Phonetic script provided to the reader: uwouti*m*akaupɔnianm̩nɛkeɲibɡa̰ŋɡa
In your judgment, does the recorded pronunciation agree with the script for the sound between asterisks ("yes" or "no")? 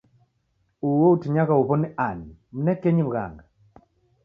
no